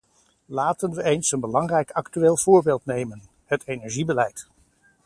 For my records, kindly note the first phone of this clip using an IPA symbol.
l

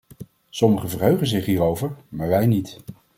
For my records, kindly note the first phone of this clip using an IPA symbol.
s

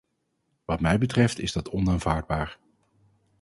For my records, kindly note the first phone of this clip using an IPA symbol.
ʋ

